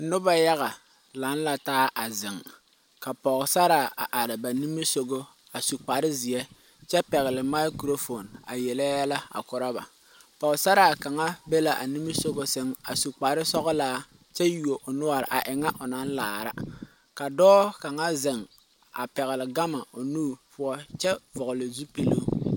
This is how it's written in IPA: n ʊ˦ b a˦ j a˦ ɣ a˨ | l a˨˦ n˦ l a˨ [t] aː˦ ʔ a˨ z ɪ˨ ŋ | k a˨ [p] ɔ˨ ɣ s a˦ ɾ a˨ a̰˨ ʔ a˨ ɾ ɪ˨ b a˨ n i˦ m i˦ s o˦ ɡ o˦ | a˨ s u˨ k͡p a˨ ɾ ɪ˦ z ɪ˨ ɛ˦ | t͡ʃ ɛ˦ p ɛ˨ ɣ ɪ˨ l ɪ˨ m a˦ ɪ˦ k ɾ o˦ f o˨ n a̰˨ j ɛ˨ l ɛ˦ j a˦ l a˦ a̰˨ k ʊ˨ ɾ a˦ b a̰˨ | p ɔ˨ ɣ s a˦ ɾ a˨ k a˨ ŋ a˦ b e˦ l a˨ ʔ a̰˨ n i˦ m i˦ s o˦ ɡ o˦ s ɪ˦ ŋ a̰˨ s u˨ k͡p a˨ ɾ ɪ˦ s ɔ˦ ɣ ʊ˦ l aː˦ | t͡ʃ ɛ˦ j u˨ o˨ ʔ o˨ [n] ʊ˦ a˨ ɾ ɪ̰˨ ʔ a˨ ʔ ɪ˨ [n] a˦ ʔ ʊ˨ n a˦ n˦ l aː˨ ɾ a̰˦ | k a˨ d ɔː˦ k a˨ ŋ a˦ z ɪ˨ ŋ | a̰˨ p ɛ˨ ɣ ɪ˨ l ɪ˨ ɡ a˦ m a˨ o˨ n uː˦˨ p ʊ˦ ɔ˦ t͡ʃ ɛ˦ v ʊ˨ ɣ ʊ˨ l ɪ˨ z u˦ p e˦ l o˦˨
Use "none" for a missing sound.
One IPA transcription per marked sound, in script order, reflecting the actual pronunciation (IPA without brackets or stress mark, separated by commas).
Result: t, p, n, ŋ